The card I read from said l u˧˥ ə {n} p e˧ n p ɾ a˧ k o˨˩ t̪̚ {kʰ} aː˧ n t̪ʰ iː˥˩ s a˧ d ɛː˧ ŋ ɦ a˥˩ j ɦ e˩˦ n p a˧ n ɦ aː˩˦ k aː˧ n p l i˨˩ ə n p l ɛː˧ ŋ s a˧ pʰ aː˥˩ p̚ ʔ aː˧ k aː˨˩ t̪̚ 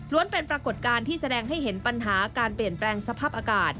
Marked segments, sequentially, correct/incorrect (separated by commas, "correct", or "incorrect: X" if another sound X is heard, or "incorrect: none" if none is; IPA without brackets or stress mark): correct, incorrect: k